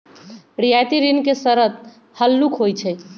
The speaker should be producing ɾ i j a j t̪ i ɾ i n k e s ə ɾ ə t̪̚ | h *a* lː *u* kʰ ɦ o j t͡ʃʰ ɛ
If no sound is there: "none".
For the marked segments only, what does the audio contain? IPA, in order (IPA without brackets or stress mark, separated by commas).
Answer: ə, u